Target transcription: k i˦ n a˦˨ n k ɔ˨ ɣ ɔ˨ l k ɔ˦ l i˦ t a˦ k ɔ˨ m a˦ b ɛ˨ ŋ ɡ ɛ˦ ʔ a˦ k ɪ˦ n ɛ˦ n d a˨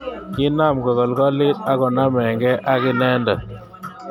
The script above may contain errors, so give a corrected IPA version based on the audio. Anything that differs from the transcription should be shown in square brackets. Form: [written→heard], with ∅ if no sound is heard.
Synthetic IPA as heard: k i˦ n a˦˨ [n→m] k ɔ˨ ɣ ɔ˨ l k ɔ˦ l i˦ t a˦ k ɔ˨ [m→n] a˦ [b→m] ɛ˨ ŋ ɡ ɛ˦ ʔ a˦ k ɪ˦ n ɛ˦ n d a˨